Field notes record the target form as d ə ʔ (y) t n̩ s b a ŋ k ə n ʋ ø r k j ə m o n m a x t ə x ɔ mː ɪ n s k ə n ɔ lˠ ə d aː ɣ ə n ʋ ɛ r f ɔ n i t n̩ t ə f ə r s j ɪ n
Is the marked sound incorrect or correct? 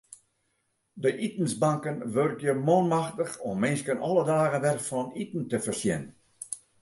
incorrect